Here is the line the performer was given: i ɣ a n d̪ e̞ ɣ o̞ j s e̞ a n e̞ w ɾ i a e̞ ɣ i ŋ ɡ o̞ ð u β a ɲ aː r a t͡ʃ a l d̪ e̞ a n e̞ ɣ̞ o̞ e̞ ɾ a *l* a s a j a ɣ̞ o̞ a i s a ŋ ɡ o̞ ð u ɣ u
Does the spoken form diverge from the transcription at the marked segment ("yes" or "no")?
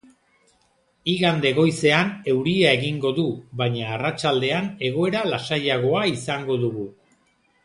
no